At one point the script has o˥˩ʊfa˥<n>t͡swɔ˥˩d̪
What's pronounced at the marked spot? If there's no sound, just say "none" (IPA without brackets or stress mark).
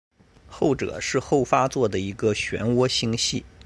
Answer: none